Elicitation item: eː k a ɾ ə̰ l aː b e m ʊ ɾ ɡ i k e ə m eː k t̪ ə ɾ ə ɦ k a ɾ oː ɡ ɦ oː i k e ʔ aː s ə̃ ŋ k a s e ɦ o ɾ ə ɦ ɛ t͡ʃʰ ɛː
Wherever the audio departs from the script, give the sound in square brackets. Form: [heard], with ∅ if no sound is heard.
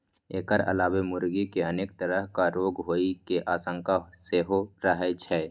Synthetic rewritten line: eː k [ə] ɾ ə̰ l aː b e m ʊ ɾ ɡ i k e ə [n] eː k t̪ ə ɾ ə ɦ k a ɾ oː ɡ ɦ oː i k e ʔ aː s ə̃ ŋ k a s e ɦ o ɾ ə ɦ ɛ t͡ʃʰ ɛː